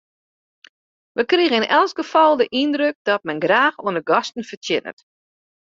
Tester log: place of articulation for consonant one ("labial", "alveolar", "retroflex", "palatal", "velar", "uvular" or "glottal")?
labial